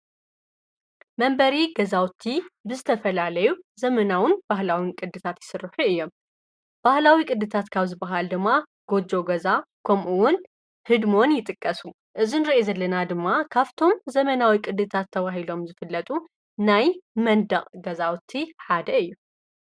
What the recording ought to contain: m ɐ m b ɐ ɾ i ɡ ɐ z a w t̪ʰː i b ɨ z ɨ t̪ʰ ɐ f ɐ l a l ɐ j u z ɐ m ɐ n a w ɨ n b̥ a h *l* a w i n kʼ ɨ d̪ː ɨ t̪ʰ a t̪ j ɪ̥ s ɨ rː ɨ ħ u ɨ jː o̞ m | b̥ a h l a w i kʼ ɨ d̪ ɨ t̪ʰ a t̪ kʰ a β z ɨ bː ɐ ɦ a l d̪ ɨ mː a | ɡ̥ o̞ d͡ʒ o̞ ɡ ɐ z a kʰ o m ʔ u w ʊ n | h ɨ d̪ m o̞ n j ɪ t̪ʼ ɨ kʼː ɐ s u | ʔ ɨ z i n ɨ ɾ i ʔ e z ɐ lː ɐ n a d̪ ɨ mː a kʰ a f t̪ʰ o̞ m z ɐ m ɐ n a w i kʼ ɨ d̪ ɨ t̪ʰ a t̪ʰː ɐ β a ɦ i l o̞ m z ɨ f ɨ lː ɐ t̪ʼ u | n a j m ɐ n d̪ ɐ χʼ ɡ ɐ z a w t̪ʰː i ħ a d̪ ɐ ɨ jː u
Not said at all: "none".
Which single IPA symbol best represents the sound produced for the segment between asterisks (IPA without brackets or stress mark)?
l